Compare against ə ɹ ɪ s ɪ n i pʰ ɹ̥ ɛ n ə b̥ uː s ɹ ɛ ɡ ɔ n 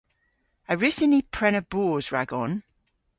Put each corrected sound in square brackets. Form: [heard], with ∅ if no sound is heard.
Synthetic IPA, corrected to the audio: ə ɹ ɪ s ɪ n i pʰ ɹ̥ ɛ n ə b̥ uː [z] ɹ [a] ɡ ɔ n

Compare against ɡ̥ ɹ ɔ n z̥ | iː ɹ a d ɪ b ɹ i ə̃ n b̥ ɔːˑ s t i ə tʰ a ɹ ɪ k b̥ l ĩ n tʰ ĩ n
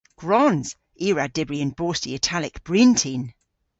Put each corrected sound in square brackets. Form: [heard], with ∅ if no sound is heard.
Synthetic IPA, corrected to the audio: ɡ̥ ɹ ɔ n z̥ | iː ɹ a d ɪ b ɹ i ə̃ n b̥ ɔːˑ s t i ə tʰ a [l] ɪ k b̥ [ɹ] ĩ n tʰ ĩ n

